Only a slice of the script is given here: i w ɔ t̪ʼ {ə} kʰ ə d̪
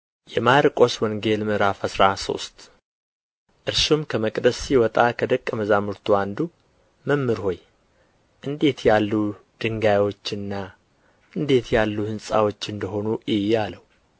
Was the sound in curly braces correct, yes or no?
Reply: no